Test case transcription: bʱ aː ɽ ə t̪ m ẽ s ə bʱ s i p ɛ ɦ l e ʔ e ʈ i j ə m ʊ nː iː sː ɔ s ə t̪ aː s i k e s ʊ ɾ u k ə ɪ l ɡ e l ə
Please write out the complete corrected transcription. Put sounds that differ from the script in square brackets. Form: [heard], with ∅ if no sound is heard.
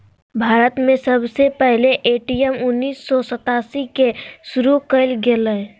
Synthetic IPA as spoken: bʱ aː [ɾ] ə t̪ m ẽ s ə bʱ s [e] p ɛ ɦ l e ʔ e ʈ i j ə m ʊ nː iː sː ɔ s ə t̪ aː s i k e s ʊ ɾ u k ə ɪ l ɡ e l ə